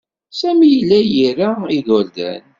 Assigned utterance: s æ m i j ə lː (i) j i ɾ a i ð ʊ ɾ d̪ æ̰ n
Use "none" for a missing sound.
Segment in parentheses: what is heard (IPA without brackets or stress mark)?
æ